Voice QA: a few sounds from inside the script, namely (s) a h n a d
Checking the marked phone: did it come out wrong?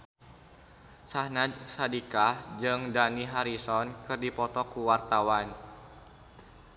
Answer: no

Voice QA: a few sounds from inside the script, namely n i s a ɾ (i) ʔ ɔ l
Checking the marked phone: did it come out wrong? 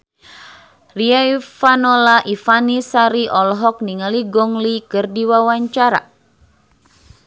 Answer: no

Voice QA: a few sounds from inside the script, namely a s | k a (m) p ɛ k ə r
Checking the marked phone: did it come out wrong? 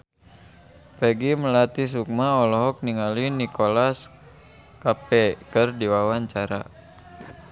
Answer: yes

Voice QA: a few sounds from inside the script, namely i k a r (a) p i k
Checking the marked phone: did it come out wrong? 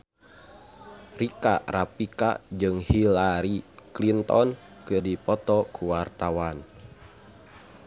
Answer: no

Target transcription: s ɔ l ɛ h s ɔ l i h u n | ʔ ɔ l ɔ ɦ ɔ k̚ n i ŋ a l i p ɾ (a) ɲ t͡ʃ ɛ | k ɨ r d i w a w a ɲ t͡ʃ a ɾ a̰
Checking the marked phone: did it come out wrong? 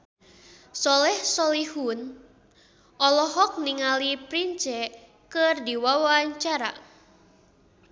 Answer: yes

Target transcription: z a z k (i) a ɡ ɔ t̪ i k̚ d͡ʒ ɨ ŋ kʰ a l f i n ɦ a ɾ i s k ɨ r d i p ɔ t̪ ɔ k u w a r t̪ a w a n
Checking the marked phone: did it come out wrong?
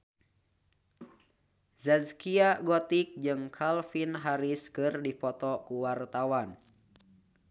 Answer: no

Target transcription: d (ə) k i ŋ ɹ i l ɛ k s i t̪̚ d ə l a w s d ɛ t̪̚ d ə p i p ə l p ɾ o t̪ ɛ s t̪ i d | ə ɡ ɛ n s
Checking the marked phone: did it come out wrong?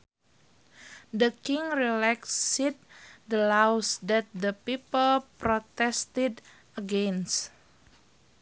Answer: no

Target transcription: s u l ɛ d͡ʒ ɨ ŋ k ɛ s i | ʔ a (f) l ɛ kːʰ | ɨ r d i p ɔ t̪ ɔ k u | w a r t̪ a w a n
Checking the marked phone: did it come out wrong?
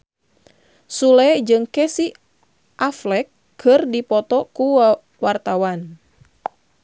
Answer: no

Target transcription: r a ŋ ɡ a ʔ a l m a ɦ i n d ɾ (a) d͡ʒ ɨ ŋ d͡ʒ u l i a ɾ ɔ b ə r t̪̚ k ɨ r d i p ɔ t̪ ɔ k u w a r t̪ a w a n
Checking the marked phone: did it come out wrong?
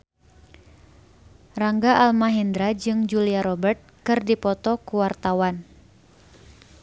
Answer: no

